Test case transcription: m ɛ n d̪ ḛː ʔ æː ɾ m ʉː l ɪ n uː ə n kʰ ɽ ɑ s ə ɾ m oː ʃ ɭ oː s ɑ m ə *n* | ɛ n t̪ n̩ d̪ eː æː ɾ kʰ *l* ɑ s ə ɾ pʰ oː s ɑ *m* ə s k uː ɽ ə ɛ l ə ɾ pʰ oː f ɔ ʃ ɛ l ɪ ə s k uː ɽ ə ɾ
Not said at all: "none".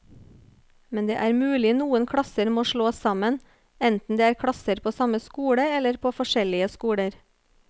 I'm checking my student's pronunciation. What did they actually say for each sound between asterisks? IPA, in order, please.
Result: n, ɽ, m

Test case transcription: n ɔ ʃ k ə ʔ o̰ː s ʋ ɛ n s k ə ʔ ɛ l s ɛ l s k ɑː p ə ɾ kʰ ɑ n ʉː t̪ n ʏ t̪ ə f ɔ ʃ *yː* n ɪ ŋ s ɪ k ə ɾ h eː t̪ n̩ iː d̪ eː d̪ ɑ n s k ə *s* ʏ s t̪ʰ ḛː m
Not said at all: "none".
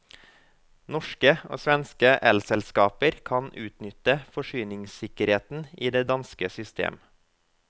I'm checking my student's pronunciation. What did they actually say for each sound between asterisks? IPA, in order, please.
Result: yː, s

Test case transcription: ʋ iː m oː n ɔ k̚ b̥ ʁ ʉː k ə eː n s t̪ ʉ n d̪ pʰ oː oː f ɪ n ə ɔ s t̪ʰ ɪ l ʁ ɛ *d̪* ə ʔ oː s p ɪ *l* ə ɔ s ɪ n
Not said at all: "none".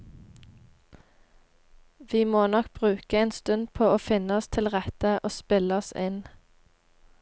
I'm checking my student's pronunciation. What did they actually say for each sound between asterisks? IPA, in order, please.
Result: t̪, l

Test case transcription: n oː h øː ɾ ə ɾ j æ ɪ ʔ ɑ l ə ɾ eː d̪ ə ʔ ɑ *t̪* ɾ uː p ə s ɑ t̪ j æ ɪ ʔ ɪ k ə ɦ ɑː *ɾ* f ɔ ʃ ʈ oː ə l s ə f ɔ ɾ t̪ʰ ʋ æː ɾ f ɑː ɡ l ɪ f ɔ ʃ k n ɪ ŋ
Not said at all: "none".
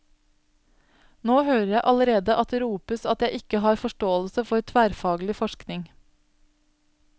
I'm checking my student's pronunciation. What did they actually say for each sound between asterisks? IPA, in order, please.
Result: t̪, ɾ

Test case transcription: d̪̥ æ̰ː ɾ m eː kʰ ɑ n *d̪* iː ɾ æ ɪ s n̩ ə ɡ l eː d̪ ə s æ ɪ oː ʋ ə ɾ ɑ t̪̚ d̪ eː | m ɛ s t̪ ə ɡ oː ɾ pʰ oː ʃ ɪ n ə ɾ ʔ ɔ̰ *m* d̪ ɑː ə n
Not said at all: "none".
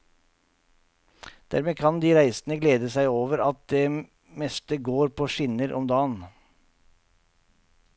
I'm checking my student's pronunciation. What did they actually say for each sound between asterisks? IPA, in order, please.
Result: d̪, m

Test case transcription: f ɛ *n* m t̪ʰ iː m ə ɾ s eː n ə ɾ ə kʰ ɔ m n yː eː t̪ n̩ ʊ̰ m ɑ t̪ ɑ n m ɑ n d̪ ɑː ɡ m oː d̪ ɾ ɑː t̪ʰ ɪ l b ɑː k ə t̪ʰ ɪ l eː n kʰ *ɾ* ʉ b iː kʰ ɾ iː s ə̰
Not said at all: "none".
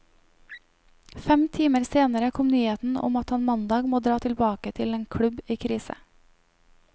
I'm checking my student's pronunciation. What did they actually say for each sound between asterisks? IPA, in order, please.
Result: none, ɽ

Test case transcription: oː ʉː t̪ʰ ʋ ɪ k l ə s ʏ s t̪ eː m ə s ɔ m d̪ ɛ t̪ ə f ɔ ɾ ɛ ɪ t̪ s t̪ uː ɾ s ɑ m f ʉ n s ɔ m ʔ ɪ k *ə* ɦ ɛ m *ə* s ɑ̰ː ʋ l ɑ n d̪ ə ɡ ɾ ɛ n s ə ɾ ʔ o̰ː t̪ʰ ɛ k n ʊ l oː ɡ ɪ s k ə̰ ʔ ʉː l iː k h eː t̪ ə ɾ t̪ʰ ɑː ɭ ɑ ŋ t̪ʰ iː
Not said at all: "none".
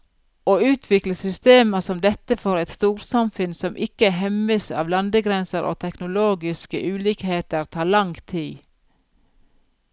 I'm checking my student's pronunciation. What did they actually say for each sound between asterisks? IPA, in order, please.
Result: ə, ə

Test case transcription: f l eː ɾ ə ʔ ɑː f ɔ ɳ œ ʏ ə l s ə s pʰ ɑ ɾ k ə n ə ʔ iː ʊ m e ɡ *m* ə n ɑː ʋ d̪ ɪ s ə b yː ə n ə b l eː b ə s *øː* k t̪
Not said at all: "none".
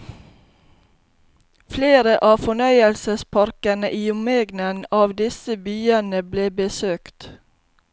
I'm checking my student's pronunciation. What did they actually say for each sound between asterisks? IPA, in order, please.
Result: n, øː

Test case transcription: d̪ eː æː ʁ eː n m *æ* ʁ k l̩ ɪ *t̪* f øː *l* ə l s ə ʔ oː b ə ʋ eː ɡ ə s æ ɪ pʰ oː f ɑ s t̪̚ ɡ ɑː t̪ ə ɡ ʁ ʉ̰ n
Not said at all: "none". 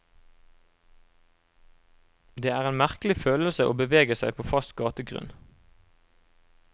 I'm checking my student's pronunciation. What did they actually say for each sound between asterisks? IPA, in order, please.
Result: æ, none, l

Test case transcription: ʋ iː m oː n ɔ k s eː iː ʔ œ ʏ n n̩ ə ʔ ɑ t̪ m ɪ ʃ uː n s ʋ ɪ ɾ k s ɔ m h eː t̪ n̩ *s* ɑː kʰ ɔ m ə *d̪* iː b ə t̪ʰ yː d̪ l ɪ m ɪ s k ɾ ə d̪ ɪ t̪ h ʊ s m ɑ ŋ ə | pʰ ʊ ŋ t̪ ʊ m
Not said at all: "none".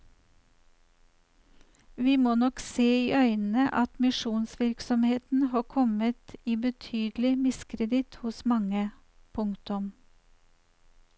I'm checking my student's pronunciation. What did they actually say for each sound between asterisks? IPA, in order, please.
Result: h, t̪

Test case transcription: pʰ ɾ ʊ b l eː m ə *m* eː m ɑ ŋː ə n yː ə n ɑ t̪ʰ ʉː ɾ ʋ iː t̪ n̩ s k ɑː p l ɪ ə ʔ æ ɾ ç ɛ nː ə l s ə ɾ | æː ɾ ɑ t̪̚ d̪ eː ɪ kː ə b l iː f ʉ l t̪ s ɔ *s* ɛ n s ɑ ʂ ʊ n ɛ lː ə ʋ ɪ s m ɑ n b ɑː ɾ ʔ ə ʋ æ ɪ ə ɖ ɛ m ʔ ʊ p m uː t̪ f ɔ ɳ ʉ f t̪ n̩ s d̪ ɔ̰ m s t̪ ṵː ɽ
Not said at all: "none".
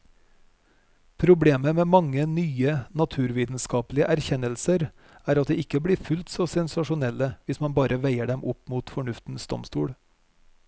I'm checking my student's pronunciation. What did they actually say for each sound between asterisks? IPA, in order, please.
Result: m, s

